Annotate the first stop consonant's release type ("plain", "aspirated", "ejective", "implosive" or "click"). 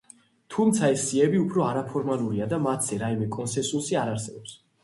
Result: aspirated